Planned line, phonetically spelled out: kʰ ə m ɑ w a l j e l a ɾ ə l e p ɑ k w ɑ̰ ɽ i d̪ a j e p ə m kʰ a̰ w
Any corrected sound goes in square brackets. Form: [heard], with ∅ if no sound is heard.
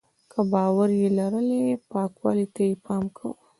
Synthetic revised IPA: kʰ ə [b] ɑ w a [ɾ] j e l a ɾ ə l e p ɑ k w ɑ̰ [l] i [t̪] a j e p [ɑ] m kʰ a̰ w